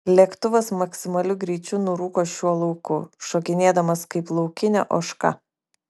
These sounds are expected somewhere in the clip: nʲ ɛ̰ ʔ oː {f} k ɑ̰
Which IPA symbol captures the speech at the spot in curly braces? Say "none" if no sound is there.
ʃ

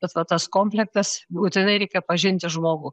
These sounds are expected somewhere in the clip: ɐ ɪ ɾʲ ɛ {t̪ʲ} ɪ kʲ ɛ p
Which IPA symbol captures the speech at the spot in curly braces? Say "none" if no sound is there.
none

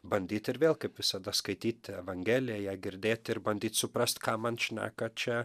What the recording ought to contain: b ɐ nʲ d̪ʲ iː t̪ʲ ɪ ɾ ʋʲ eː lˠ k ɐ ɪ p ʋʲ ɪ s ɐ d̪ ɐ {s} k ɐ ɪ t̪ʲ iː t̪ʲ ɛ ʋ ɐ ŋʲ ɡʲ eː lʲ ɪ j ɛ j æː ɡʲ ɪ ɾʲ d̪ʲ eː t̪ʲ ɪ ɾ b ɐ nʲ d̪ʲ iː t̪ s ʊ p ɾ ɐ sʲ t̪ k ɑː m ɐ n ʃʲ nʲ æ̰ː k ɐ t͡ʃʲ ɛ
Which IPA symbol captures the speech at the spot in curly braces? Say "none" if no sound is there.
s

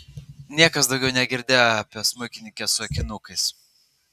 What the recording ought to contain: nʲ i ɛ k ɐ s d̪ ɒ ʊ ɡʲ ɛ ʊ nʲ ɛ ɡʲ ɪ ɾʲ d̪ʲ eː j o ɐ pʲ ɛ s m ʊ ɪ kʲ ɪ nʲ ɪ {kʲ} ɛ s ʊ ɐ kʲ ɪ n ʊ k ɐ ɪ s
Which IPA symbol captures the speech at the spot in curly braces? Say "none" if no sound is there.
kʲ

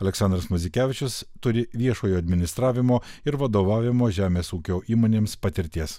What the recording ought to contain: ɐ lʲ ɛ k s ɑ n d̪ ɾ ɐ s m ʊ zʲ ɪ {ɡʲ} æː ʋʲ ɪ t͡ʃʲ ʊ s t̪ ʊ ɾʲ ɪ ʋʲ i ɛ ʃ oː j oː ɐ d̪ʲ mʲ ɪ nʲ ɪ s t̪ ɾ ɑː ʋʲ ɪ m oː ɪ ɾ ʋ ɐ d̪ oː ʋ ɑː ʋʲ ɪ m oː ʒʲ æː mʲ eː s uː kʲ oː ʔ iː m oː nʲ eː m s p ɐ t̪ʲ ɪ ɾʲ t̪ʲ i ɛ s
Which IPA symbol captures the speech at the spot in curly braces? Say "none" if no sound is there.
kʲ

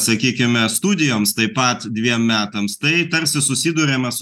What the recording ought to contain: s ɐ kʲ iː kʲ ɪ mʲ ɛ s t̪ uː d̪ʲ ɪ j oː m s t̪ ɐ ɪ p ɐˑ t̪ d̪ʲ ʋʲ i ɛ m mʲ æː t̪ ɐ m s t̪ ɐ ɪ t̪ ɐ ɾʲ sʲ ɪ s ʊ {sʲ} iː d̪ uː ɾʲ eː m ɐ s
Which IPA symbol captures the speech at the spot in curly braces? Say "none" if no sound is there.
sʲ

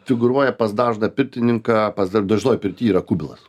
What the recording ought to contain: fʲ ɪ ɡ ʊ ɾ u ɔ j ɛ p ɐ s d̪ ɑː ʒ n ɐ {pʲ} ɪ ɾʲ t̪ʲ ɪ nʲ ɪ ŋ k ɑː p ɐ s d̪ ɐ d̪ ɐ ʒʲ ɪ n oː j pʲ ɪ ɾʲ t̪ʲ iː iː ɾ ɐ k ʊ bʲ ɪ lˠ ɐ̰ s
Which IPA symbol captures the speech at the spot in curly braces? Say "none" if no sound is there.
pʲ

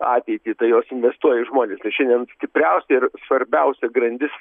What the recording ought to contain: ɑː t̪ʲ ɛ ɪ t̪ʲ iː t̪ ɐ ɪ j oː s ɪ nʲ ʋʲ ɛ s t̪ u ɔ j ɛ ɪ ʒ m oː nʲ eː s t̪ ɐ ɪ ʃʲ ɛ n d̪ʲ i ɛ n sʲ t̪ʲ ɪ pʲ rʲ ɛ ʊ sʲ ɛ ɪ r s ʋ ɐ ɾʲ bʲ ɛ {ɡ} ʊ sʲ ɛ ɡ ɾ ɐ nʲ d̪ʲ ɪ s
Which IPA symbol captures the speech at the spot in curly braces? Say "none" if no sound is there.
none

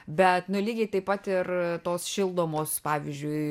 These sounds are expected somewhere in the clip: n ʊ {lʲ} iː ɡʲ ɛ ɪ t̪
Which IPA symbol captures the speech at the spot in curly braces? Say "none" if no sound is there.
lʲ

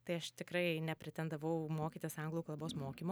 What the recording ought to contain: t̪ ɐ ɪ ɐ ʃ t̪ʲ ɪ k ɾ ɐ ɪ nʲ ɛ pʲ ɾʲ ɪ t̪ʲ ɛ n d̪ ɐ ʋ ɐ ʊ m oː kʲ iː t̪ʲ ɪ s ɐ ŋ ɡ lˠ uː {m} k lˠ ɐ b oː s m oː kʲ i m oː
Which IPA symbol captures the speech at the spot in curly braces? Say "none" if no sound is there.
none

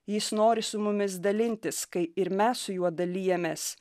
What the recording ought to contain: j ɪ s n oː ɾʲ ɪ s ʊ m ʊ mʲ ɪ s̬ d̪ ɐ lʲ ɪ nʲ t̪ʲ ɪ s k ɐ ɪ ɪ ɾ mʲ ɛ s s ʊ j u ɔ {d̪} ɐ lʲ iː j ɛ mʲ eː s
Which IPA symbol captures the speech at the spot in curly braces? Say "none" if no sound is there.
d̪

